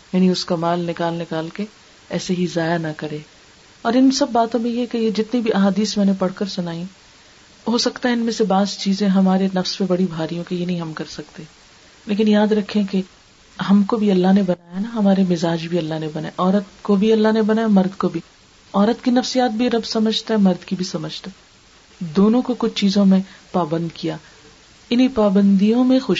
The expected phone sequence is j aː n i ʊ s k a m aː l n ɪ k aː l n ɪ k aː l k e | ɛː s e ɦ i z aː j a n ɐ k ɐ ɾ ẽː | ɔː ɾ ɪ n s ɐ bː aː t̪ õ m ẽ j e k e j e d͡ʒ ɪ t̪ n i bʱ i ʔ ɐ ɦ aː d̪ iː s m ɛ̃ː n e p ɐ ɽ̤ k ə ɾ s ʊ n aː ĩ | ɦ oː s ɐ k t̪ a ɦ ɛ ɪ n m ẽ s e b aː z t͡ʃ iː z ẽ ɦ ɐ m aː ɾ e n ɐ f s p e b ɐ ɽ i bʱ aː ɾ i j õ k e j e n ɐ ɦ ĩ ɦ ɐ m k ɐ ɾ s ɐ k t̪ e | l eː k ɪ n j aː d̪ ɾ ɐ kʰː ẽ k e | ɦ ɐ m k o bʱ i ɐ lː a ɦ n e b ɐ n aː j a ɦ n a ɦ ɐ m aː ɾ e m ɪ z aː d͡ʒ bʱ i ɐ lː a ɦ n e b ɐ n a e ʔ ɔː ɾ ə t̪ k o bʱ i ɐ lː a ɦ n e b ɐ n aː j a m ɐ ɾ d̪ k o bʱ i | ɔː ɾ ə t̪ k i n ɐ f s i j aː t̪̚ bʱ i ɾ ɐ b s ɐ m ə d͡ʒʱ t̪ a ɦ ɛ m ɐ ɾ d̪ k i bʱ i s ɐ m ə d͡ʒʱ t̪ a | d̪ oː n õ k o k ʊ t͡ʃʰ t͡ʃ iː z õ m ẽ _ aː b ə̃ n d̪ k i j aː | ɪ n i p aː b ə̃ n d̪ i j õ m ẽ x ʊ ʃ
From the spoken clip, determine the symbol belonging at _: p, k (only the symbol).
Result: p